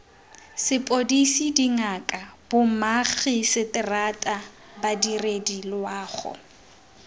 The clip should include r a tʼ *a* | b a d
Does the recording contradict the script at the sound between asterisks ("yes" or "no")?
no